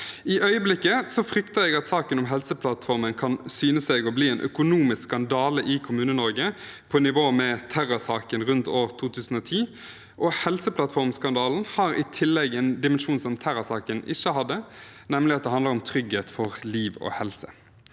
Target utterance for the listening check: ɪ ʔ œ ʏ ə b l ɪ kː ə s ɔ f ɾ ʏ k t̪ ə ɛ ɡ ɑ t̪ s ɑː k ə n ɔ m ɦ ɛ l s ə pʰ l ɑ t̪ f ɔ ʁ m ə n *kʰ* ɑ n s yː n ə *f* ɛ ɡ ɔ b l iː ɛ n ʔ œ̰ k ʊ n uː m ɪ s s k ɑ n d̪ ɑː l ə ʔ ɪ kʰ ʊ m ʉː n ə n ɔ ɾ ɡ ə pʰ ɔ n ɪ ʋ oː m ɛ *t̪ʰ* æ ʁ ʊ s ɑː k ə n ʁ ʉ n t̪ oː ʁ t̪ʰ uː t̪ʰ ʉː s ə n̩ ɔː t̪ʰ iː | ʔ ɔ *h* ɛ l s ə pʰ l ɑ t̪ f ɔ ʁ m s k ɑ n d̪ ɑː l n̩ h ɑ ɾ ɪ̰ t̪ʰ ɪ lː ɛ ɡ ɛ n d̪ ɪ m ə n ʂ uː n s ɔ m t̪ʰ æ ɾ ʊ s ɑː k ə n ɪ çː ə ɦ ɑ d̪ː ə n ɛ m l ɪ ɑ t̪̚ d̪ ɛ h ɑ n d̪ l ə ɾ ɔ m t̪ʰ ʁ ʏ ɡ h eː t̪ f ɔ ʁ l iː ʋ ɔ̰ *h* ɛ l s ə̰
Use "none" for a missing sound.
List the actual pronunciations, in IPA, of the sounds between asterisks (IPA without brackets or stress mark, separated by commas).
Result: kʰ, s, t̪ʰ, h, h